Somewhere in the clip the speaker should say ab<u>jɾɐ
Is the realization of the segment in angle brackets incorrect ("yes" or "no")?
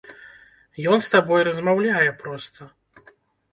yes